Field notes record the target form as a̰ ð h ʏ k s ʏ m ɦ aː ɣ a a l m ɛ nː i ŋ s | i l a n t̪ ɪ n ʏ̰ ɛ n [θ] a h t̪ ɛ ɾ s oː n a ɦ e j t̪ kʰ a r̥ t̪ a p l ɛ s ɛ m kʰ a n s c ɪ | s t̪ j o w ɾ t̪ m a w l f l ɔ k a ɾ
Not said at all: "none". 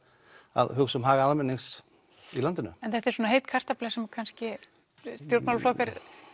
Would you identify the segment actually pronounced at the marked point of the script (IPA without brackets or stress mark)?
θ